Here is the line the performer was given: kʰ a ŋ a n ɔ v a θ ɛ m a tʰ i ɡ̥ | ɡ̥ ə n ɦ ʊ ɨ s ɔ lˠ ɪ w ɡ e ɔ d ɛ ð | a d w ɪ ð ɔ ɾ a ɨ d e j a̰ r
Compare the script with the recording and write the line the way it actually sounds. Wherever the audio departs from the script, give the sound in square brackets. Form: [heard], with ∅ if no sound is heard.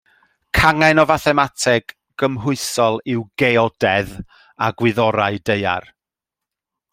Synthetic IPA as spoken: kʰ a ŋ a n ɔ v a θ ɛ m a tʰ [ɛ] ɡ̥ | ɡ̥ ə [m] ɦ ʊ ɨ s ɔ lˠ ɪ w ɡ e ɔ d ɛ ð | a [ɡ] w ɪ ð ɔ ɾ a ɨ d e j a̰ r